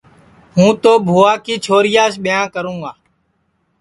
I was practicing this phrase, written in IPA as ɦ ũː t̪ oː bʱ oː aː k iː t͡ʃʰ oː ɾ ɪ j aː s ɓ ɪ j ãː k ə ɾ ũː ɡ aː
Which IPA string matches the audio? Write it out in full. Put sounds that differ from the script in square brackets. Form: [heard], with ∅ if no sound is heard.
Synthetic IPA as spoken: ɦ ũː t̪ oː bʱ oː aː k iː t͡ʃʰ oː ɾ ɪ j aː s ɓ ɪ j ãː k ə ɾ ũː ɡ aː